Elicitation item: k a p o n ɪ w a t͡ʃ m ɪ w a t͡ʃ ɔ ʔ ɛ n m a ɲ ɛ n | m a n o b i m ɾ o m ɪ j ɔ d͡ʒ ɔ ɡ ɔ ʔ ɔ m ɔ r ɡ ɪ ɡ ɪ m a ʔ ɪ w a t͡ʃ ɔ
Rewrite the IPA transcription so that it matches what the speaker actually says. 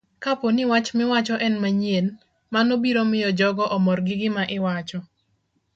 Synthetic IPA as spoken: k a p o n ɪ w a t͡ʃ m ɪ w a t͡ʃ ɔ ʔ ɛ n m a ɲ e n | m a n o b i ɾ o m ɪ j ɔ d͡ʒ ɔ ɡ ɔ ʔ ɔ m ɔ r ɡ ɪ ɡ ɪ m a ʔ ɪ w a t͡ʃ ɔ